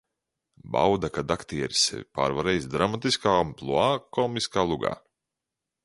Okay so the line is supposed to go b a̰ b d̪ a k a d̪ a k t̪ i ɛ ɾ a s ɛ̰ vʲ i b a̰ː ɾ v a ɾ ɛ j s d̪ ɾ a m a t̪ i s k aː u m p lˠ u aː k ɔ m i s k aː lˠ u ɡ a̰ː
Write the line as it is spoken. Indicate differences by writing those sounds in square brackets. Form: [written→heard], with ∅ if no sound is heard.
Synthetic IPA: b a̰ [b→w] d̪ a k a d̪ a k t̪ i ɛ ɾ [a→i] s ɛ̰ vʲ i [b→p] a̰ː ɾ v a ɾ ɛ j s d̪ ɾ a m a t̪ i s k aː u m p lˠ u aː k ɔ m i s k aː lˠ u ɡ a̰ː